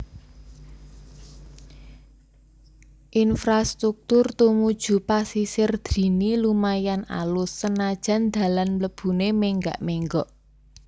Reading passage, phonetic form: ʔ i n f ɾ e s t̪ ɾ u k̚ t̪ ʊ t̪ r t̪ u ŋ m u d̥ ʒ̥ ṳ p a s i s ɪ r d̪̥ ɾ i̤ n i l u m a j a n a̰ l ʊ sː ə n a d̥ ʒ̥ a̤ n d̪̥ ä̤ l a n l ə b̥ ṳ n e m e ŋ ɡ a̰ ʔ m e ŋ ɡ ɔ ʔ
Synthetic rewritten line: ʔ i n f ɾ a s t̪ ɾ u k̚ t̪ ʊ r t̪ u m u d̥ ʒ̥ ṳ p a s i s ɪ r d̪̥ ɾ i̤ n i l u m a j a n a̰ l ʊ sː ə n a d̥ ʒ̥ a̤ n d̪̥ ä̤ l a n l ə b̥ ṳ n e m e ŋ ɡ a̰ ʔ m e ŋ ɡ ɔ ʔ